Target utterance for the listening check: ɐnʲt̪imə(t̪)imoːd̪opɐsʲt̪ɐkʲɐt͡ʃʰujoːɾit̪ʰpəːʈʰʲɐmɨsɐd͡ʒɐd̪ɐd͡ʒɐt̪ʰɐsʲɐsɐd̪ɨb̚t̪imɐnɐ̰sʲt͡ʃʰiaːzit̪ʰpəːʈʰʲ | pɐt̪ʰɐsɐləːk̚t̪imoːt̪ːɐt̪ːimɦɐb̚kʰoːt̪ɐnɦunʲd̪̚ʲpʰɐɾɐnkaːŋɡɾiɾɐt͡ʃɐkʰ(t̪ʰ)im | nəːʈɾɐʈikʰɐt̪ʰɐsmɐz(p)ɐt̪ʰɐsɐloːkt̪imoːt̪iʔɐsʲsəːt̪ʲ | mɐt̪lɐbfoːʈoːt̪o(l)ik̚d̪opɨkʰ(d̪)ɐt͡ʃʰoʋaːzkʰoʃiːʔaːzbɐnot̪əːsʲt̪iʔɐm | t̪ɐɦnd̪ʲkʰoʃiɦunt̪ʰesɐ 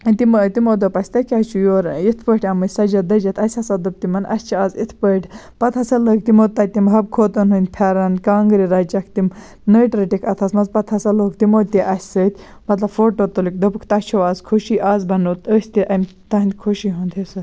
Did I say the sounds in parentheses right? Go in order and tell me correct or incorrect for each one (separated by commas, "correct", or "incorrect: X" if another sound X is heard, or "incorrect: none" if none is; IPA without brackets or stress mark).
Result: correct, incorrect: t̪, correct, correct, incorrect: t̪